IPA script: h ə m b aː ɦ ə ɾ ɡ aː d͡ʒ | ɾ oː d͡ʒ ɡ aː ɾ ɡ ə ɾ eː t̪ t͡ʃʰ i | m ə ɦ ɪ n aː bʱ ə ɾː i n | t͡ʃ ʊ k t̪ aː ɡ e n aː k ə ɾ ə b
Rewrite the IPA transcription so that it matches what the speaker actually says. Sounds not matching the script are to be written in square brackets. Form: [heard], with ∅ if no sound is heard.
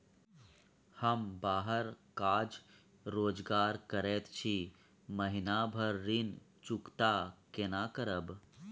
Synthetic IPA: h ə m b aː ɦ ə ɾ [k] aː d͡ʒ | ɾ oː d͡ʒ ɡ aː ɾ [k] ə ɾ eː t̪ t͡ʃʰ i | m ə ɦ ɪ n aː bʱ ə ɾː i n | t͡ʃ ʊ k t̪ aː [k] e n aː k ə ɾ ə b